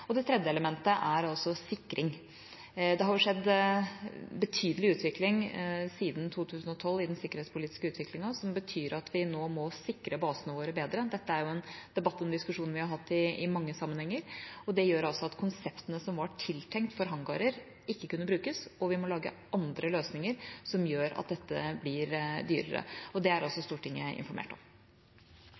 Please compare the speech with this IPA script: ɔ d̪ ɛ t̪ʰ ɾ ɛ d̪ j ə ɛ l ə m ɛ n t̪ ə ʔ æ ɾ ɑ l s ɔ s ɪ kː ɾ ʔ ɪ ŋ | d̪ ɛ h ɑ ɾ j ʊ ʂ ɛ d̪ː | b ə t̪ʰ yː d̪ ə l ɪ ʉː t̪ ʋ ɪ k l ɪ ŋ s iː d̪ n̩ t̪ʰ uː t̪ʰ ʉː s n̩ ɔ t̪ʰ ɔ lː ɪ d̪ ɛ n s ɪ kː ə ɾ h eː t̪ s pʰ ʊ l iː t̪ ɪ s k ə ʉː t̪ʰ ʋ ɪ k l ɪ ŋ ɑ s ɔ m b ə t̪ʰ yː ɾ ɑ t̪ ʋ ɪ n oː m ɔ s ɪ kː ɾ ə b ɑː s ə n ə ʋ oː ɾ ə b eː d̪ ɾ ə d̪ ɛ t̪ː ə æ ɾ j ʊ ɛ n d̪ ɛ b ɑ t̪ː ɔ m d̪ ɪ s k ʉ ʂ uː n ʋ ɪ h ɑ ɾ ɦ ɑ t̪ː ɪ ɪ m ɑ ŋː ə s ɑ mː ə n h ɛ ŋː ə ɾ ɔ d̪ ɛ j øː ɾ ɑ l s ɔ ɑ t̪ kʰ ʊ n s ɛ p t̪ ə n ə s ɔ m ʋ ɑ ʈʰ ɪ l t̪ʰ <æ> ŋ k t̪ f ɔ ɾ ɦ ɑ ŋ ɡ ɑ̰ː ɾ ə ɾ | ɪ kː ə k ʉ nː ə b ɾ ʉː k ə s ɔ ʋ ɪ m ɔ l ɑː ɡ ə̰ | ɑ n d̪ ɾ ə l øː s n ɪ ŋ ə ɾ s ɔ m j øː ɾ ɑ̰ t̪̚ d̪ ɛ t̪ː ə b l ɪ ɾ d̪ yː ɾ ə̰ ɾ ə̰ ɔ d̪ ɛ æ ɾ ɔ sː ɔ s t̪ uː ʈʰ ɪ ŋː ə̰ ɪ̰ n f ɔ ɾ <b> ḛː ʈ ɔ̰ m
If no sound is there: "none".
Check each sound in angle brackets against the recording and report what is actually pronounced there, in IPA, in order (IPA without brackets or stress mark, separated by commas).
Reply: ɛ, m